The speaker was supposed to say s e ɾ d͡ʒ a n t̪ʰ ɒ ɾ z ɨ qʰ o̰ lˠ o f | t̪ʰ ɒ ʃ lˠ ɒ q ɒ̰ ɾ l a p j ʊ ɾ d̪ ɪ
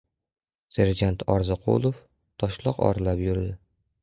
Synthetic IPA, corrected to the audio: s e ɾ d͡ʒ a n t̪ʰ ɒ ɾ z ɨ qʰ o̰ lˠ o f | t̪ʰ ɒ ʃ lˠ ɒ q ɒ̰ ɾ l a p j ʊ ɾ d̪ ɪ